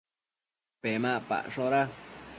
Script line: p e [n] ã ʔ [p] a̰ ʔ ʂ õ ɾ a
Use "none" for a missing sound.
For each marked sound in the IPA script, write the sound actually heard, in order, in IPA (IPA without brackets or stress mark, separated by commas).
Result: m, p